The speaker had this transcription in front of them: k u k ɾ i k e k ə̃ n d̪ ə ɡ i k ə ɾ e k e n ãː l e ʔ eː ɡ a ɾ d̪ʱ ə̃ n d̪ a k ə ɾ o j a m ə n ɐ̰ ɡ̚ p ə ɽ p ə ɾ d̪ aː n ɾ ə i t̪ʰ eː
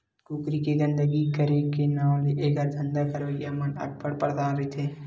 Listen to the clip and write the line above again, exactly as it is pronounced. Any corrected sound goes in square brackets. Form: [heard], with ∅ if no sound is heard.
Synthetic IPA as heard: k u k ɾ i k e [ɡ] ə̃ n d̪ ə ɡ i k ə ɾ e k e n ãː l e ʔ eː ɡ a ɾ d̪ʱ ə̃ n d̪ a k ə ɾ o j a m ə n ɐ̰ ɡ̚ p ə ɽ p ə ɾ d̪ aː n ɾ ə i t̪ʰ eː